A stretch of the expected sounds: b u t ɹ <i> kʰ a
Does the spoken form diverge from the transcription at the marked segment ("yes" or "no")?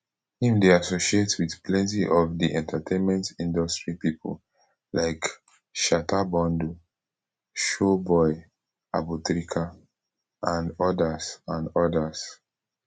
no